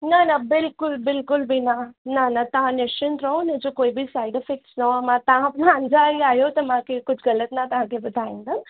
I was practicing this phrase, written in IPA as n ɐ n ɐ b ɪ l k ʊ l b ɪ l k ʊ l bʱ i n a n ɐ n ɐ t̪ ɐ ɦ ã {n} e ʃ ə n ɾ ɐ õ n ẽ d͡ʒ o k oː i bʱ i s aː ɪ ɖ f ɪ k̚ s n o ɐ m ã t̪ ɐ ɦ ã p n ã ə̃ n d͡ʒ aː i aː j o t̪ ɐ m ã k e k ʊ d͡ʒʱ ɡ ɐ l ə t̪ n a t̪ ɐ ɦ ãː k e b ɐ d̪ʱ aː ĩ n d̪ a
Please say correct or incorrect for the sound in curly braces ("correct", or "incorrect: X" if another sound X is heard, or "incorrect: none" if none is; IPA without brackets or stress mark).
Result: correct